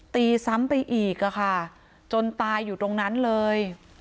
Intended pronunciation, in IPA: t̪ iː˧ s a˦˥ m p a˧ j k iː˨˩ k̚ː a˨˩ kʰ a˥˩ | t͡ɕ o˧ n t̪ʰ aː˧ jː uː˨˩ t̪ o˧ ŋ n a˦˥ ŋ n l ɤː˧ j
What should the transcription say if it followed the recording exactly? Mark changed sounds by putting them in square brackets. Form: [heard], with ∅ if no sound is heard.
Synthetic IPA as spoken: t̪ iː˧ s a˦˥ m p a˧ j [ʔ] iː˨˩ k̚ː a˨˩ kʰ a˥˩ | t͡ɕ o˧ n [t̪] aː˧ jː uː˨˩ t̪ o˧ ŋ n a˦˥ [∅] n l ɤː˧ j